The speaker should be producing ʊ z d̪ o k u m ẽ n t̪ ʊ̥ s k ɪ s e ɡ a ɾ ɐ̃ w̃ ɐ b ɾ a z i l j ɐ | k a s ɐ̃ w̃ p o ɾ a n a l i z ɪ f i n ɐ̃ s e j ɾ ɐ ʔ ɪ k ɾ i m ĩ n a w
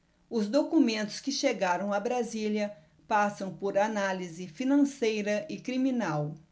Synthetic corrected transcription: ʊ z d̪ o k u m ẽ n t̪ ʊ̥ s k ɪ ʃ e ɡ a ɾ ɐ̃ w̃ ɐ b ɾ a z i l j ɐ | p a s ɐ̃ w̃ p o ɾ a n a l i z ɪ f i n ɐ̃ s e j ɾ ɐ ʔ ɪ k ɾ i m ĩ n a w

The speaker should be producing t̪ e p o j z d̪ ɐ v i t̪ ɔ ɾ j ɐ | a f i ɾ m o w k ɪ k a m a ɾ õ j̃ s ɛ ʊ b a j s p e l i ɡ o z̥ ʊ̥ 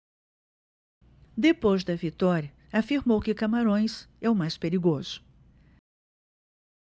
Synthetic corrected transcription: d̪ e p o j z d̪ ɐ v i t̪ ɔ ɾ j ɐ | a f i ɾ m o w k ɪ k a m a ɾ õ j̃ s ɛ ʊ m a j s p e ɾ i ɡ o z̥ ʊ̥

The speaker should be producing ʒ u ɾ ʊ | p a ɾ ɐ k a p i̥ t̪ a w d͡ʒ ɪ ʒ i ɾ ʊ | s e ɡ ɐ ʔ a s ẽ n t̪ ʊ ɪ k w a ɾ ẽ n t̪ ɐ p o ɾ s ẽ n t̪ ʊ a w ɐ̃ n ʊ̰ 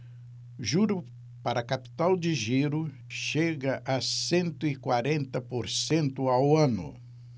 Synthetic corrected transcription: ʒ u ɾ ʊ | p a ɾ ɐ k a p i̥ t̪ a w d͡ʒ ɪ ʒ i ɾ ʊ | ʃ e ɡ ɐ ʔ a s ẽ n t̪ ʊ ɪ k w a ɾ ẽ n t̪ ɐ p o ɾ s ẽ n t̪ ʊ a w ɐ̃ n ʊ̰

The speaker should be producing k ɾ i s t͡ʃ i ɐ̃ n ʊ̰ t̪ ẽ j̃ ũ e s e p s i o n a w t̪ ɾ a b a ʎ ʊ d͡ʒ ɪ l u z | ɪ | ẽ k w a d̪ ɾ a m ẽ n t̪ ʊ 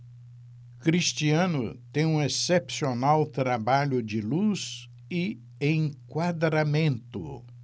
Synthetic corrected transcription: k ɾ i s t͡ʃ i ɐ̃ n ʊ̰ t̪ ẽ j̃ ũ e s e p s i o n a w t̪ ɾ a b a ʎ ʊ d͡ʒ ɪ l u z | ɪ | ẽ k w a d̪ ɾ a m ẽ n t̪ ʊ

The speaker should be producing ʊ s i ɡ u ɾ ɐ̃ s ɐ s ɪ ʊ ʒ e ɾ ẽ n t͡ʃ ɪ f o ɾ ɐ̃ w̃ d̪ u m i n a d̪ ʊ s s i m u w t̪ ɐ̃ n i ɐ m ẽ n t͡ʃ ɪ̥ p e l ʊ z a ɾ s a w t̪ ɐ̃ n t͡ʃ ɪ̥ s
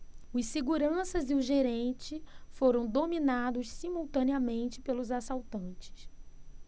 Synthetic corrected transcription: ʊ s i ɡ u ɾ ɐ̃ s ɐ z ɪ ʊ ʒ e ɾ ẽ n t͡ʃ ɪ f o ɾ ɐ̃ w̃ d̪ o m i n a d̪ ʊ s s i m u w t̪ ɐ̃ n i ɐ m ẽ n t͡ʃ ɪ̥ p e l ʊ z a s a w t̪ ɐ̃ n t͡ʃ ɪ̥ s

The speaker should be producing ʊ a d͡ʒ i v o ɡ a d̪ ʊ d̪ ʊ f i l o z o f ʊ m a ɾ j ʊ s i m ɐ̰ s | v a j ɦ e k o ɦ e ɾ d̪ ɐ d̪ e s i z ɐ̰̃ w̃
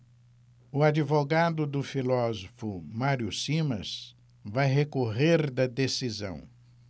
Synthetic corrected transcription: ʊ a d͡ʒ i v o ɡ a d̪ ʊ d̪ ʊ f i l ɔ z o f ʊ m a ɾ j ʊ s i m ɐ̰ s | v a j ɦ e k o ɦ e ɾ d̪ ɐ d̪ e s i z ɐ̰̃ w̃

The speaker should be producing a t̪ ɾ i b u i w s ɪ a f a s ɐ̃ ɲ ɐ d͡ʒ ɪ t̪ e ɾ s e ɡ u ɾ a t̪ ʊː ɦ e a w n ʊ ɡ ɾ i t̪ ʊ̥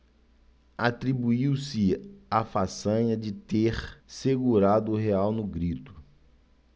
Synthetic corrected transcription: a t̪ ɾ i b u i w s ɪ a f a s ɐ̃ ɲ ɐ d͡ʒ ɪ t̪ e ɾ s e ɡ u ɾ a d̪ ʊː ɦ e a w n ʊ ɡ ɾ i t̪ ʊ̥

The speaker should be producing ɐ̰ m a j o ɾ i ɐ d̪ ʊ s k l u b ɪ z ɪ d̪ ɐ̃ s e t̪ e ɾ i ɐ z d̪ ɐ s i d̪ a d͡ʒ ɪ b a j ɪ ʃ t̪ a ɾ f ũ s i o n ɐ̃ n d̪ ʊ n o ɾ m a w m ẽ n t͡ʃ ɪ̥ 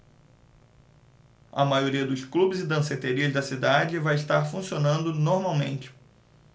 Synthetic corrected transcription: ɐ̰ m a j o ɾ i ɐ d̪ ʊ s k l u b ɪ z ɪ d̪ ɐ̃ s e t̪ e ɾ i ɐ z d̪ ɐ s i d̪ a d͡ʒ ɪ v a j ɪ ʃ t̪ a ɾ f ũ s i o n ɐ̃ n d̪ ʊ n o ɾ m a w m ẽ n t͡ʃ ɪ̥

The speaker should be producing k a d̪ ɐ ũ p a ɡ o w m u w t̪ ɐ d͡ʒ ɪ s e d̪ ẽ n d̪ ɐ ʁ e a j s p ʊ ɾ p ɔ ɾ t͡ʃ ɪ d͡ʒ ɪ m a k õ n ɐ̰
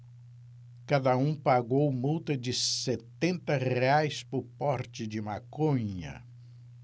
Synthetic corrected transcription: k a d̪ ɐ ũ p a ɡ o w m u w t̪ ɐ d͡ʒ ɪ s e t̪ ẽ n t̪ ɐ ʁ e a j s p ʊ ɾ p ɔ ɾ t͡ʃ ɪ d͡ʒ ɪ m a k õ ɲ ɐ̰

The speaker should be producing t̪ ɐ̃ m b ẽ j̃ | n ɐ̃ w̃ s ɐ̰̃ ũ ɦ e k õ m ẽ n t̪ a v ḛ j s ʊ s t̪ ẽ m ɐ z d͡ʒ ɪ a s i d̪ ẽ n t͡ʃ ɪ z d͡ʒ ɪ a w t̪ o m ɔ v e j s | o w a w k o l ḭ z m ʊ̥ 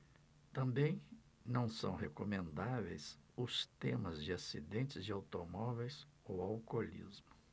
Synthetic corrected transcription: t̪ ɐ̃ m b ẽ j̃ | n ɐ̃ w̃ s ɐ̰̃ w̃ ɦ e k o m ẽ n d̪ a v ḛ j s ʊ s t̪ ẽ m ɐ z d͡ʒ ɪ a s i d̪ ẽ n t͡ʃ ɪ z d͡ʒ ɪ a w t̪ o m ɔ v e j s | o w a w k o l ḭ z m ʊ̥

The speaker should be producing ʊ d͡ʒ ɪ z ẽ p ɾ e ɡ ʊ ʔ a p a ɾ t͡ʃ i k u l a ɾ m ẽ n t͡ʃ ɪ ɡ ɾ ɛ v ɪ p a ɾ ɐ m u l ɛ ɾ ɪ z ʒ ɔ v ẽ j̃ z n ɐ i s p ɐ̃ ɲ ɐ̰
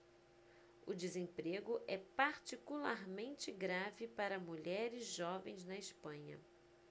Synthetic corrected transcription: ʊ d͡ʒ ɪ z ẽ p ɾ e ɡ ʊ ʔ ɛ p a ɾ t͡ʃ i k u l a ɾ m ẽ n t͡ʃ ɪ ɡ ɾ a v ɪ p a ɾ ɐ m u ʎ ɛ ɾ ɪ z ʒ ɔ v ẽ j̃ z n ɐ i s p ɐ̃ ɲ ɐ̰

